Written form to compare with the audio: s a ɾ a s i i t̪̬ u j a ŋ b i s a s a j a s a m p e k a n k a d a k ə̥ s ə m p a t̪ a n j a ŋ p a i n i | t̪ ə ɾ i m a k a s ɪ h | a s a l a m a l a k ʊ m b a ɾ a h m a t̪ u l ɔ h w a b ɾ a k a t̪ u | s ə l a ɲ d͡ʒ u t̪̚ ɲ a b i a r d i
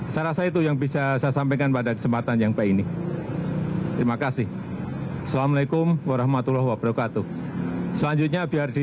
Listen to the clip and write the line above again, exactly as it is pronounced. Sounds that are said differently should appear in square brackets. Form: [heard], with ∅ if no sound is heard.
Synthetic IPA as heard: s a ɾ a s [a] i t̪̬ u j a ŋ b i s a s a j a s a m p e k a n [p] a d a k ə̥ s ə m p a t̪ a n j a ŋ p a i n i | t̪ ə ɾ i m a k a s ɪ h | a s a l a m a l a k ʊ m [w] a ɾ a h m a t̪ u l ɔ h w a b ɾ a k a t̪ u | s ə l a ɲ d͡ʒ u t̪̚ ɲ a b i a r d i